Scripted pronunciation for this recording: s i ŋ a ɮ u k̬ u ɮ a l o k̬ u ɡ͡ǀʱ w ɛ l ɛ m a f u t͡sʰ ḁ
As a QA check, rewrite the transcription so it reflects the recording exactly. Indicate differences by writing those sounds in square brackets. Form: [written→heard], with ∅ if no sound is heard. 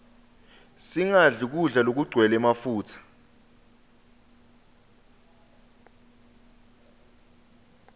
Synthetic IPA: s i ŋ a ɮ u k̬ u ɮ a l o k̬ u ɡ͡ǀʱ w ɛ l ɛ m a f [u→uː] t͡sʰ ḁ